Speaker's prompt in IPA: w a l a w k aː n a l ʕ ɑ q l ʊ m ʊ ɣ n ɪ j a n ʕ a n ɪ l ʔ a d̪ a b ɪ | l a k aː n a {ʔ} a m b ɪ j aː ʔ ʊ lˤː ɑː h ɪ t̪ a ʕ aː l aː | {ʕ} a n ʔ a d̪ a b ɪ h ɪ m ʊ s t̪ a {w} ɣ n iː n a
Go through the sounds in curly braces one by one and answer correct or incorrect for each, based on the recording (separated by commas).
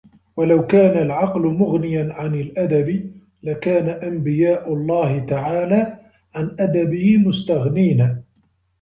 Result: correct, correct, incorrect